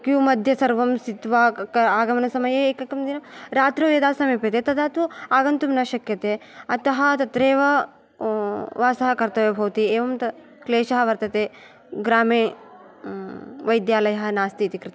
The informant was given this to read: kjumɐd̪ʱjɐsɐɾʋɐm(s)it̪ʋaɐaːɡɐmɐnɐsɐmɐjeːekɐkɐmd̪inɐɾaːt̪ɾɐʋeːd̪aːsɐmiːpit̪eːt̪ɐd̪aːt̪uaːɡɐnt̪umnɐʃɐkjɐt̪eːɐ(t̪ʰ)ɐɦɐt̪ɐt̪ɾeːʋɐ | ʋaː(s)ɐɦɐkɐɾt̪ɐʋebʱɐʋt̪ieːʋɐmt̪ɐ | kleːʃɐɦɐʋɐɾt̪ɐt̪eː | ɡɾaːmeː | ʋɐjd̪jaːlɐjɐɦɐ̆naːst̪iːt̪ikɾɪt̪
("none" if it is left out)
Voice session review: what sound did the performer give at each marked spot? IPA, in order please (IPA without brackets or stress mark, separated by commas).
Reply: s, t̪, s